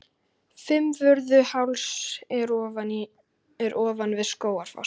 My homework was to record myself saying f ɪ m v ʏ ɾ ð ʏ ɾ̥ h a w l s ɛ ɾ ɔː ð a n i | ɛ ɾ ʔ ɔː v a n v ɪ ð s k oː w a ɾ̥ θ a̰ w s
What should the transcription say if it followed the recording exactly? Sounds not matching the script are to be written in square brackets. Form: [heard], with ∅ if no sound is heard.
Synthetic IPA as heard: f ɪ m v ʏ ɾ ð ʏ [∅] h a w l s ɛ ɾ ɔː [v] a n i | ɛ ɾ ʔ ɔː v a n v ɪ ð s k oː w a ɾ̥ [f] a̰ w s